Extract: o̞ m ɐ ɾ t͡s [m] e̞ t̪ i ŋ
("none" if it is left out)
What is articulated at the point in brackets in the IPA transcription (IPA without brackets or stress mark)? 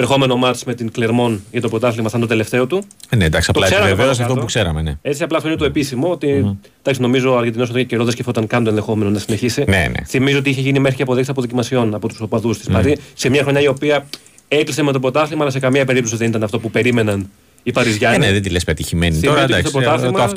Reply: m